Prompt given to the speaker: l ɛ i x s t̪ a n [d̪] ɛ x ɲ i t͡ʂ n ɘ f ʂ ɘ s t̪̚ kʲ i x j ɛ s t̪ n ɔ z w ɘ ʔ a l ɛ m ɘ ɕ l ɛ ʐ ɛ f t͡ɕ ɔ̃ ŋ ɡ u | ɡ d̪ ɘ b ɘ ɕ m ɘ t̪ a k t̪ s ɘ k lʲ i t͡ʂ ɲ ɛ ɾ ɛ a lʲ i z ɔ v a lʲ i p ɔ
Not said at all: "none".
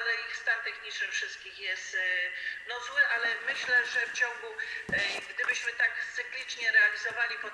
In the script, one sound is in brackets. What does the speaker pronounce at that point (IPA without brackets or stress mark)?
t̪